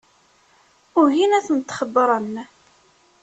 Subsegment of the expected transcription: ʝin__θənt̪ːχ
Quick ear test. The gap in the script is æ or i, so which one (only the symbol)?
æ